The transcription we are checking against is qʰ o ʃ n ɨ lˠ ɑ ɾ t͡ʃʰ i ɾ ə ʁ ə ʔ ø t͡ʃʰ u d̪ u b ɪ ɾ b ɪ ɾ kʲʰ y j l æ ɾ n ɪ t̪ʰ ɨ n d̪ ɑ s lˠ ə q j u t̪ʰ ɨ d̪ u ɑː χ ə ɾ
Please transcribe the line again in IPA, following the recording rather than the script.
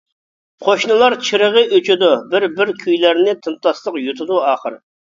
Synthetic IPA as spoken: qʰ o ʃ n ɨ lˠ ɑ ɾ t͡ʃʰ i ɾ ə ʁ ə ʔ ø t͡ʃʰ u d̪ u b ɪ ɾ b ɪ ɾ kʲʰ y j l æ ɾ n ɪ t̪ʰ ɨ n t̪ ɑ s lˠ ə q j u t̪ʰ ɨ d̪ u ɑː χ ə ɾ